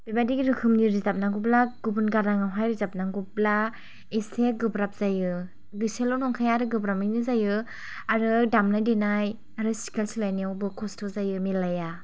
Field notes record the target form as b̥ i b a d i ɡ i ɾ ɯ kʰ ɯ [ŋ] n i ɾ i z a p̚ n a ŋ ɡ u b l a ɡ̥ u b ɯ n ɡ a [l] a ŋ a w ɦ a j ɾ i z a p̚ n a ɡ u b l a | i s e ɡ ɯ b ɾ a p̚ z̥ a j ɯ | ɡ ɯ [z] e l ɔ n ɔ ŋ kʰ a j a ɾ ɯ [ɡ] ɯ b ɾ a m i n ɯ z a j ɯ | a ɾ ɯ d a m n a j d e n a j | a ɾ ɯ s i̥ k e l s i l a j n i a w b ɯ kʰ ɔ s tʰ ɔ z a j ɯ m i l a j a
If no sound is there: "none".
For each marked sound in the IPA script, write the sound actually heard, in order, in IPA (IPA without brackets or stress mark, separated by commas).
m, ɾ, s, ɡ